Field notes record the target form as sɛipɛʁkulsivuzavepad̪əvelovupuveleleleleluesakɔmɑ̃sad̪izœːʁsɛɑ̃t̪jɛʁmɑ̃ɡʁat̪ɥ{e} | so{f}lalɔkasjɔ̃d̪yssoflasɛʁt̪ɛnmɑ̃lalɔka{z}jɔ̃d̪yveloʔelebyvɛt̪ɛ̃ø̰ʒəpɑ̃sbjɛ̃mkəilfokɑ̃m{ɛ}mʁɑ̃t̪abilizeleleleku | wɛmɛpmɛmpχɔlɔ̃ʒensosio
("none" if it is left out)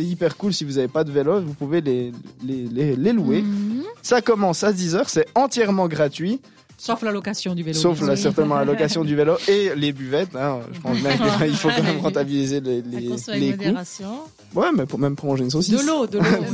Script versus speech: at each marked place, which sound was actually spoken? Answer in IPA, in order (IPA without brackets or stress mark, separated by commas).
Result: i, f, s, ɛ